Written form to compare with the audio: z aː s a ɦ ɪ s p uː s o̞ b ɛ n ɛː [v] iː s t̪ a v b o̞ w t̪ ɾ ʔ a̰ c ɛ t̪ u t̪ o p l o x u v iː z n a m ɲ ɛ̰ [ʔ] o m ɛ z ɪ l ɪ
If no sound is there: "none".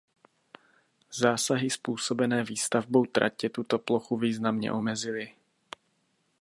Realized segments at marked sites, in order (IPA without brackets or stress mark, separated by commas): v, ʔ